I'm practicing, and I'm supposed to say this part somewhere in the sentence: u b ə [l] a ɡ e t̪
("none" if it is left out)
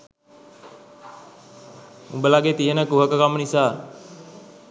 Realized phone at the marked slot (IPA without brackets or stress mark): l